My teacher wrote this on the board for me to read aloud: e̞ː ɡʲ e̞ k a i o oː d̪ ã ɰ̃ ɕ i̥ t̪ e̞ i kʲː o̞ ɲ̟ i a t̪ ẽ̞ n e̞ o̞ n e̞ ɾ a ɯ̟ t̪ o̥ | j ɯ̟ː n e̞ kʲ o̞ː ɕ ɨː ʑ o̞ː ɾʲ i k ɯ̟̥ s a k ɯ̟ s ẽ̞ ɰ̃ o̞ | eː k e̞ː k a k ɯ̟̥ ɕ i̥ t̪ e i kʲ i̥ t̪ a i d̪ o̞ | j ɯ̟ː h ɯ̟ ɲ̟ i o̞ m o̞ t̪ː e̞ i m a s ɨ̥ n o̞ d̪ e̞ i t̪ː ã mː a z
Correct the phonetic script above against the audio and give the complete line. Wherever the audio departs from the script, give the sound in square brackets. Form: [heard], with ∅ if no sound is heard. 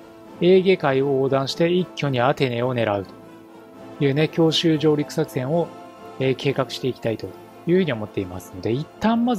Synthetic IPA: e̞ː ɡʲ e̞ k a i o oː d̪ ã ɰ̃ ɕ i̥ t̪ e̞ i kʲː o̞ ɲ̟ i a t̪ [e̞] n e̞ o̞ n e̞ ɾ a ɯ̟ t̪ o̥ | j ɯ̟ː n e̞ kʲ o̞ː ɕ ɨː ʑ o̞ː ɾʲ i k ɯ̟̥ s a k ɯ̟ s ẽ̞ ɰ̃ o̞ | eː k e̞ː k a k ɯ̟̥ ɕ i̥ t̪ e i kʲ i̥ t̪ a i [t̪] o̞ | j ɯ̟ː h ɯ̟ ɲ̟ i o̞ m o̞ t̪ː e̞ i m a s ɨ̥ n o̞ d̪ e̞ i t̪ː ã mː a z